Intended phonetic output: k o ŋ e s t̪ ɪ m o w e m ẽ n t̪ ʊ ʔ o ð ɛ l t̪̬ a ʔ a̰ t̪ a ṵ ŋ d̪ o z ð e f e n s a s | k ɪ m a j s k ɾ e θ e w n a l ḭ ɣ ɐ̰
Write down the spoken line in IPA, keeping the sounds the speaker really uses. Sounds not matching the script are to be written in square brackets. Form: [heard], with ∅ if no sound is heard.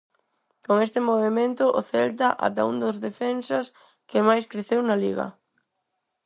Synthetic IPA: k o ŋ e s t̪ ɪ m o [β] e m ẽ n t̪ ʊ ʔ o [θ] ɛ l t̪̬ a ʔ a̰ t̪ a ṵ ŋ d̪ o z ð e f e n s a s | k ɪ m a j s k ɾ e θ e w n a l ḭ ɣ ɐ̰